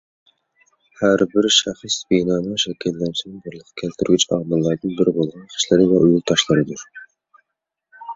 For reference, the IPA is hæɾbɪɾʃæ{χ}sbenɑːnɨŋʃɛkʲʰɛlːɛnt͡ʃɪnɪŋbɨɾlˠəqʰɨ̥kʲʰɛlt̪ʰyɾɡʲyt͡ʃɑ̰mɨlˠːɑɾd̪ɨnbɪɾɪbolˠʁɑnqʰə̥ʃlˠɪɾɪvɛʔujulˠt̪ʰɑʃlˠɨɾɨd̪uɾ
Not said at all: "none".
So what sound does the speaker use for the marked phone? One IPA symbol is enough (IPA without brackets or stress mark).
χ